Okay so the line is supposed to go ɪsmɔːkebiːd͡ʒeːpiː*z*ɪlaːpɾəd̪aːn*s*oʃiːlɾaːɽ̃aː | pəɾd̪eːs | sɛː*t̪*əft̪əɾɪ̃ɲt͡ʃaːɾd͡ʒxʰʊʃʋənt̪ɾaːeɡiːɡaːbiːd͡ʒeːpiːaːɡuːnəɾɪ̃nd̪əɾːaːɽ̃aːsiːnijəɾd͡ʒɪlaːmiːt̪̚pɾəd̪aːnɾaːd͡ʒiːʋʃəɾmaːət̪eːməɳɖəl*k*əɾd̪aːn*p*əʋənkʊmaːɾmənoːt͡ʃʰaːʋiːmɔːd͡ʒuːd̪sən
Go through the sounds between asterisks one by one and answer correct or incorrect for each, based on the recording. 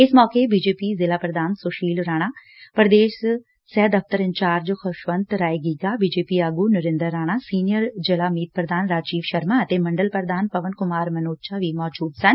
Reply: correct, correct, incorrect, incorrect, correct

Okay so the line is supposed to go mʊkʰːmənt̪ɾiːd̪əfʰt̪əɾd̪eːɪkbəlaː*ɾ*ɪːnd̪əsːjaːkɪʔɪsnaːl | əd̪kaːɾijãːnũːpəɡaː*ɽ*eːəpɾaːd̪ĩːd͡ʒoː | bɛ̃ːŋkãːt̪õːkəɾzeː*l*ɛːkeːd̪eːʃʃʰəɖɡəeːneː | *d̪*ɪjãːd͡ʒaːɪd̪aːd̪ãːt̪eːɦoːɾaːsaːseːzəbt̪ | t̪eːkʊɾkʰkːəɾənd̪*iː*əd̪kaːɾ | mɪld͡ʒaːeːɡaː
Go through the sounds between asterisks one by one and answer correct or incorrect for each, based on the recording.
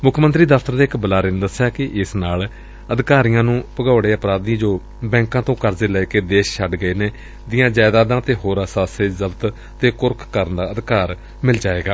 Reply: correct, correct, correct, correct, incorrect

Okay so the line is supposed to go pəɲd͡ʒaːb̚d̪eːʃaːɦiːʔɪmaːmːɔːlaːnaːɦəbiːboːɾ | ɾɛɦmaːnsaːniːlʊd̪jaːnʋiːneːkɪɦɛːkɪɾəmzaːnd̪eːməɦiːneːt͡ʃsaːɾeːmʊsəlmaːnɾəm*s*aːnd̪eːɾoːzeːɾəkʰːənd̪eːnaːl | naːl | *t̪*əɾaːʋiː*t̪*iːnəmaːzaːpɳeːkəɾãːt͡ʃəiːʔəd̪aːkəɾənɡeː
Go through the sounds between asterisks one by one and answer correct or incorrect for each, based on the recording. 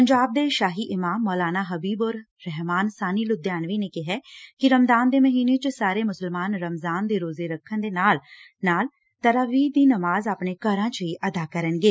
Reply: incorrect, correct, incorrect

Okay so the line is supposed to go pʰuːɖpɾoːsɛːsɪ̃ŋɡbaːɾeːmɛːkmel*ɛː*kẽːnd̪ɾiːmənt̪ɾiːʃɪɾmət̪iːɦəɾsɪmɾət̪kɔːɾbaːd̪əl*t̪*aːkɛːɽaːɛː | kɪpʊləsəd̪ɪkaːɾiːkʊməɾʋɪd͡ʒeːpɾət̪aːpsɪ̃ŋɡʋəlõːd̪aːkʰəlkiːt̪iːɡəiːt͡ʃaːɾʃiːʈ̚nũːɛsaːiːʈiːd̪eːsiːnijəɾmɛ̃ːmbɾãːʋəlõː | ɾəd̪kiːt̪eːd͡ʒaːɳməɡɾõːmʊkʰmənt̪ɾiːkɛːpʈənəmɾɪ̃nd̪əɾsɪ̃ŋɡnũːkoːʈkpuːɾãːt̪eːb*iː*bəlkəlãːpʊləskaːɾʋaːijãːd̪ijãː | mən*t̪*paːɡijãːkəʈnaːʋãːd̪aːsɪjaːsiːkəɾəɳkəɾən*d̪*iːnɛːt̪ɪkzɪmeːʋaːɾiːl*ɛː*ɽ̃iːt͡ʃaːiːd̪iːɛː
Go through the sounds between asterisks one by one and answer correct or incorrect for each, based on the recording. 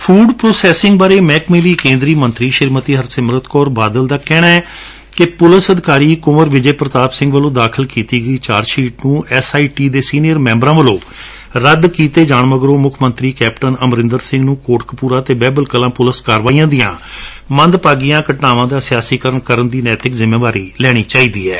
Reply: incorrect, incorrect, incorrect, incorrect, correct, correct

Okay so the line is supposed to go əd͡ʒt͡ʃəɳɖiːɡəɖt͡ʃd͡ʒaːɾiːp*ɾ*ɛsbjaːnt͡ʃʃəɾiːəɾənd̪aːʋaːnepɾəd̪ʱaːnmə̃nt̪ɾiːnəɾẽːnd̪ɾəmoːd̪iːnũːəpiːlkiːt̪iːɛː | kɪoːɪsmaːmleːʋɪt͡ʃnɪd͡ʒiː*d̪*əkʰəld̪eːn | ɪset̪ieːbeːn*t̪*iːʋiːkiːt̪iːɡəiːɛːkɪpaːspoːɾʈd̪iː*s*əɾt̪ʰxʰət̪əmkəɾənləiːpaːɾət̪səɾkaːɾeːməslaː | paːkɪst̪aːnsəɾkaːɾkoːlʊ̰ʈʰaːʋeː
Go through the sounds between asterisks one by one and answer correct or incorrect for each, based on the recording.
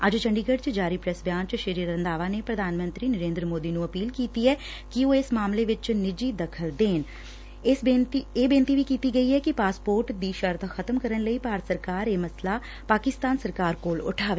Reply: correct, correct, correct, incorrect

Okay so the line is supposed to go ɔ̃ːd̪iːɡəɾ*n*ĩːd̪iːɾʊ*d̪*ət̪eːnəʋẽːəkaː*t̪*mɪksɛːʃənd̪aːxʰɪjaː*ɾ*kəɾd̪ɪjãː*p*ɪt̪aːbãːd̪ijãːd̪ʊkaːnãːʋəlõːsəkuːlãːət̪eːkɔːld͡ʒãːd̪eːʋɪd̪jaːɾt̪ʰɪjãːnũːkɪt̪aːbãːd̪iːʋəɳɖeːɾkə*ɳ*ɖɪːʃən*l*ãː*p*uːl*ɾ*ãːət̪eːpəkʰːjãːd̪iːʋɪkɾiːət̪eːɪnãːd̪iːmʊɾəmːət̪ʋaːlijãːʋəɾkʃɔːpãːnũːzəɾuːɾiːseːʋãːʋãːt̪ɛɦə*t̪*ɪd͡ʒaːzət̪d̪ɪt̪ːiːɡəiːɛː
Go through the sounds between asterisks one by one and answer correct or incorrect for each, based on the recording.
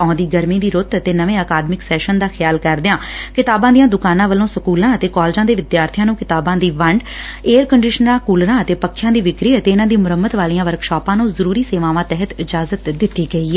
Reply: incorrect, incorrect, incorrect, incorrect, incorrect, correct, incorrect, incorrect, correct, correct

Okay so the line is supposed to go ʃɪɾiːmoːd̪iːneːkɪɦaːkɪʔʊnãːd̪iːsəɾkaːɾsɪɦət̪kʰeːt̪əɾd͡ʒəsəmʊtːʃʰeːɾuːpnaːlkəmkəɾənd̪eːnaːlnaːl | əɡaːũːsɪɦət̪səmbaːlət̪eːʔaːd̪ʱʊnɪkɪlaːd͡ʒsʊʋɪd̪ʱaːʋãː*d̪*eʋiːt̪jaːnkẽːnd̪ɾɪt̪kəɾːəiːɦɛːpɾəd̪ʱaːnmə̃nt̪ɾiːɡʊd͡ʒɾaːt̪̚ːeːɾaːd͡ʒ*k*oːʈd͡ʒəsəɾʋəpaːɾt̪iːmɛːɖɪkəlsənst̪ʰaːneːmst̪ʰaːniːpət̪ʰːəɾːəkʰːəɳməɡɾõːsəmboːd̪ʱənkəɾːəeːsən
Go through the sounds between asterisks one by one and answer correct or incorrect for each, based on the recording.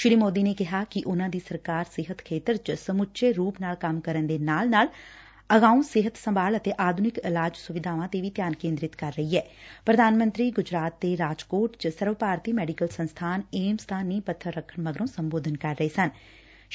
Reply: incorrect, correct

